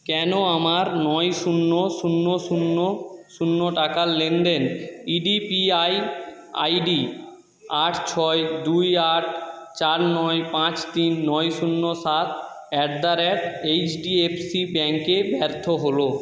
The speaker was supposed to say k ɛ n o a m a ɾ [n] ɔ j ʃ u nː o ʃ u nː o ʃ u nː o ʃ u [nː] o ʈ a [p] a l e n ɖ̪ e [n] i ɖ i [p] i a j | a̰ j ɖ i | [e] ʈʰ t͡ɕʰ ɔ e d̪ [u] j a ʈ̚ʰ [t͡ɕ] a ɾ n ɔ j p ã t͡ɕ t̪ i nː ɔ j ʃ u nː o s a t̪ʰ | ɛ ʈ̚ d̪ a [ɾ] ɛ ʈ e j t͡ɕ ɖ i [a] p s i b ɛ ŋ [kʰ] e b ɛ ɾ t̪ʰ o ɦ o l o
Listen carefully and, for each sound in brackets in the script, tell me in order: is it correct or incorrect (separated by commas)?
correct, correct, incorrect, correct, correct, incorrect, correct, correct, correct, incorrect, incorrect